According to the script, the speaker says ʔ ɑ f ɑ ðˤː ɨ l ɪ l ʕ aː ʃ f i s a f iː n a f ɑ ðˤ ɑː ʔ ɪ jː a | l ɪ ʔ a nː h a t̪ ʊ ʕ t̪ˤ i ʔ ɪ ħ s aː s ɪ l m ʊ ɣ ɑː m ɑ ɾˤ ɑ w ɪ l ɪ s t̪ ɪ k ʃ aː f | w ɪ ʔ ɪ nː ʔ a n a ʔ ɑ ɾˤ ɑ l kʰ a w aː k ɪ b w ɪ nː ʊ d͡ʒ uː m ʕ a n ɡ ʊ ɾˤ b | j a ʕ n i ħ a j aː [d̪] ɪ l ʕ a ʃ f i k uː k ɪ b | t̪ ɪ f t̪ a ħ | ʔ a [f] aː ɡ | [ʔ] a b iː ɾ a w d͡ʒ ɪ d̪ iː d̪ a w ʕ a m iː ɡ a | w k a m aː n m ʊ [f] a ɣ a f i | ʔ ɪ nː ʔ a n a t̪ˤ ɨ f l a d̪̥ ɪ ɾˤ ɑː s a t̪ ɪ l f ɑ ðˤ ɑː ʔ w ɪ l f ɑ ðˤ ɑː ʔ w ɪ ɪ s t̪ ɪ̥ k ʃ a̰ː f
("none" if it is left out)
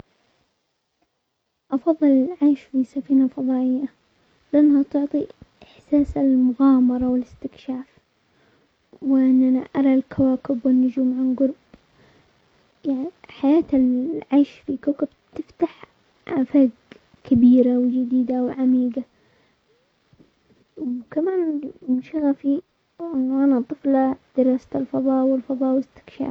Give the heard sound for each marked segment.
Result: t̪, f, k, ʃ

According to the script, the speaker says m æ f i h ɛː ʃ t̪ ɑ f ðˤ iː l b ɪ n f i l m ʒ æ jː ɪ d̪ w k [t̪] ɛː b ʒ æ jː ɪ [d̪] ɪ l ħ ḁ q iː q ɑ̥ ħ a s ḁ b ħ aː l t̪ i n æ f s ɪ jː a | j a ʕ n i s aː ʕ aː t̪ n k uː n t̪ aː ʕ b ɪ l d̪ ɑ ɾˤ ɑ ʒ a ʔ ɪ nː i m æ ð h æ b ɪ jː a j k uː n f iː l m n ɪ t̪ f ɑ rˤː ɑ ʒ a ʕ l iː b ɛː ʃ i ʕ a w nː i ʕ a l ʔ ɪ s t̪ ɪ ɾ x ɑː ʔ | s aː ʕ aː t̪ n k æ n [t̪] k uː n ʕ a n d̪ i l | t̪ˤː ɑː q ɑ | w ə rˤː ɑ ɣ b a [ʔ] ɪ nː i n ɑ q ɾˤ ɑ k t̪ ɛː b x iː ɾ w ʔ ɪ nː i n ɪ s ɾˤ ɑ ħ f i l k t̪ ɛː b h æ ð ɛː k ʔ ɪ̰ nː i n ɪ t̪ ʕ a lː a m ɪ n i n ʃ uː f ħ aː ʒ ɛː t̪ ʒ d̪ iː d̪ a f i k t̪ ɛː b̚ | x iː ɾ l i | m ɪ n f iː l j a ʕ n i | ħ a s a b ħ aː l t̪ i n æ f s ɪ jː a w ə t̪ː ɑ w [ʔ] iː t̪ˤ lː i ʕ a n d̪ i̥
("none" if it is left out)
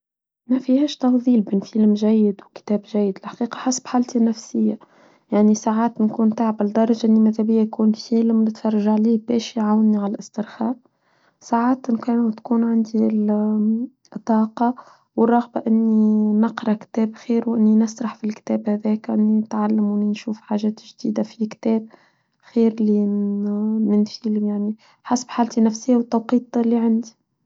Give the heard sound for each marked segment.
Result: t̪, d̪, t̪, ʔ, q

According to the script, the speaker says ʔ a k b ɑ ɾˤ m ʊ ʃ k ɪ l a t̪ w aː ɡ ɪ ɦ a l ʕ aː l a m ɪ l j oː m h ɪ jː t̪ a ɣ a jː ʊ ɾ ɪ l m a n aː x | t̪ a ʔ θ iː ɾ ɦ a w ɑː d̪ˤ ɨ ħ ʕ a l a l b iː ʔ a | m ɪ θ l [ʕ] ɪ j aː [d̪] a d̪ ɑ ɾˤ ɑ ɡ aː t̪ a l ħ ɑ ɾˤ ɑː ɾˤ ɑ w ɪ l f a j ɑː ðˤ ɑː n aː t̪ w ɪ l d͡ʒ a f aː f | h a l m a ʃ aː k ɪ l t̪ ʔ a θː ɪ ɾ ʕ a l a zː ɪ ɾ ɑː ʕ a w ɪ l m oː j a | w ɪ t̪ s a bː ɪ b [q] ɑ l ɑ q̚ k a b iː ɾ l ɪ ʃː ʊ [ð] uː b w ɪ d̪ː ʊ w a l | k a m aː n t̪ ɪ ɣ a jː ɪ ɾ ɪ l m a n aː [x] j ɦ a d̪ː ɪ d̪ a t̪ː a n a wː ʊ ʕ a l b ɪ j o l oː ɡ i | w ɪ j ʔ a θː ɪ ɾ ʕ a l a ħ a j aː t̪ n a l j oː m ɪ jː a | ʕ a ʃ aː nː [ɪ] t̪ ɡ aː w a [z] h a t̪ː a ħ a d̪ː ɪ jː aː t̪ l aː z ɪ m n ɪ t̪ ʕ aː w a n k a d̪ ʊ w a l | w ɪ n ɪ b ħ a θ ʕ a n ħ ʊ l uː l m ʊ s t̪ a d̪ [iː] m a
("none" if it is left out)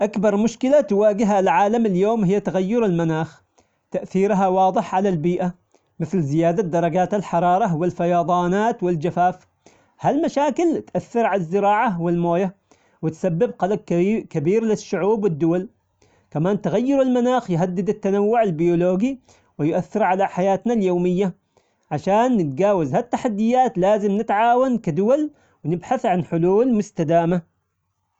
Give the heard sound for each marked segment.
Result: z, d̪, q, ʕ, x, ɪ, z, aː

